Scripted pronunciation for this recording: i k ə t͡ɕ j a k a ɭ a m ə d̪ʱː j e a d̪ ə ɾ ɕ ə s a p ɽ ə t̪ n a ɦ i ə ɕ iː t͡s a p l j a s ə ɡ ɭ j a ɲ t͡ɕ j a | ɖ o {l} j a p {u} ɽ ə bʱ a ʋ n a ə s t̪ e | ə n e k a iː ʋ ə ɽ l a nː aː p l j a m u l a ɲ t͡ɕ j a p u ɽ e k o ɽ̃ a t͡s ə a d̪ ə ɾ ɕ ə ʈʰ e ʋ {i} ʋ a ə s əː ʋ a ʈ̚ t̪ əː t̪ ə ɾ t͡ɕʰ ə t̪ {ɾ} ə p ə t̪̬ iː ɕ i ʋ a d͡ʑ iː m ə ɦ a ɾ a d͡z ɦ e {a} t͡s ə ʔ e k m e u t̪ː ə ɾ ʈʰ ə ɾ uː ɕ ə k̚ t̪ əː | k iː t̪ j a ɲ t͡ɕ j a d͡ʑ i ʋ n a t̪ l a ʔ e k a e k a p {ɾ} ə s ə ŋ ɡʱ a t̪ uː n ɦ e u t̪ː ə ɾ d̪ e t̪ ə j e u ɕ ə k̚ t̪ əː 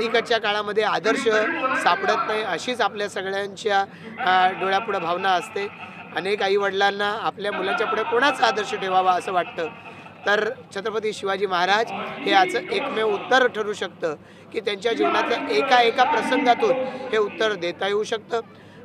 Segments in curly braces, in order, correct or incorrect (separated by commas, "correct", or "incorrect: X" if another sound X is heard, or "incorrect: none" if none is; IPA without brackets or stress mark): incorrect: ɭ, correct, incorrect: a, correct, correct, correct